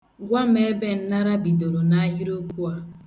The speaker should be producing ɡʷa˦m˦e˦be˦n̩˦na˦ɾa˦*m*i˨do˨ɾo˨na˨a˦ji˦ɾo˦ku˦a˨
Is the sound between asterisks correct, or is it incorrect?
incorrect